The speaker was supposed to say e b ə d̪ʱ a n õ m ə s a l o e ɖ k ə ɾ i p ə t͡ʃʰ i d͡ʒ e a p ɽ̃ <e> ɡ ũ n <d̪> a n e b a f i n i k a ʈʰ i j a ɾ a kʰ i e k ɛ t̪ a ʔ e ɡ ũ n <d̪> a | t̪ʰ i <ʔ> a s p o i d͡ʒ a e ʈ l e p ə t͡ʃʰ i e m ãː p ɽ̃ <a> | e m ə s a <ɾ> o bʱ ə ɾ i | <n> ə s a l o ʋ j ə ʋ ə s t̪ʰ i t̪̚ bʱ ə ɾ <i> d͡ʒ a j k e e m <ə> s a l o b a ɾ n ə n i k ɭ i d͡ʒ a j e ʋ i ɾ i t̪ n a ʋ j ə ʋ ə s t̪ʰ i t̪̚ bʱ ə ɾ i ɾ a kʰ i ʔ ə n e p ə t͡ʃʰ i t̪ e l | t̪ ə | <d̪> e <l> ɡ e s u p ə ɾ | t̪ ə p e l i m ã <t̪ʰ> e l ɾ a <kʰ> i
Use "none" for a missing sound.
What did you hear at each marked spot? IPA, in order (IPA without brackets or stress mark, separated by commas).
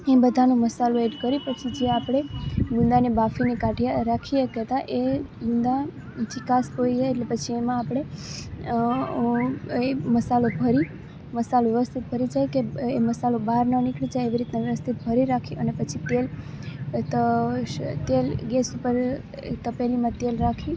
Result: e, d̪, d̪, k, e, l, m, i, ə, t̪, l, t̪, kʰ